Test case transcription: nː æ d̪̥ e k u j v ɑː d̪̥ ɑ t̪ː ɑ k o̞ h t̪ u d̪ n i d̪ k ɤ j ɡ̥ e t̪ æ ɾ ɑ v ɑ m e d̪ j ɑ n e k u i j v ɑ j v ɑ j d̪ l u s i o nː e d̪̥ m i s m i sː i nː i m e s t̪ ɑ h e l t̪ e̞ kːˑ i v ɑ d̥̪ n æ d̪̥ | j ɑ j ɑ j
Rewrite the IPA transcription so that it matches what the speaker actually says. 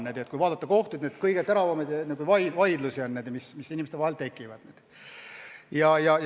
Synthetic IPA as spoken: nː e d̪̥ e k u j v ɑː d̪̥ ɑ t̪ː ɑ k o̞ h t̪ u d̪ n e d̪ k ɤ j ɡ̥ e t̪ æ ɾ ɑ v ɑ m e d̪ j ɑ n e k u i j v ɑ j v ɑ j d̪ l u s i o nː e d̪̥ m i s m i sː i n i m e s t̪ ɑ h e l t̪ e̞ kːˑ i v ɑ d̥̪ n e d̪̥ | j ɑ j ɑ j